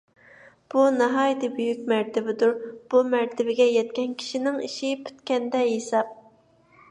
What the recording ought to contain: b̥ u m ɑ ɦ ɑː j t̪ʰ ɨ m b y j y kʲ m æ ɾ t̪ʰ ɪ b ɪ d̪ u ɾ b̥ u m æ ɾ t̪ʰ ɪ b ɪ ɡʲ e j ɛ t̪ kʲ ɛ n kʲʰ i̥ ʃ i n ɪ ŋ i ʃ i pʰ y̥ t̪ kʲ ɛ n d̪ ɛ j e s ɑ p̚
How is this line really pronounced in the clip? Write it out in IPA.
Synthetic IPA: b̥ u n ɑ ɦ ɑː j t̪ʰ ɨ b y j y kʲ m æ ɾ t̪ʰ ɪ b ɪ d̪ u ɾ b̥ u m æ ɾ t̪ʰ ɪ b ɪ ɡʲ ɛ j ɛ t̪ kʲ ɛ n kʲʰ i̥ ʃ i n ɪ ŋ i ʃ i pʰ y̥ t̪ kʲ ɛ n d̪ ɛ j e s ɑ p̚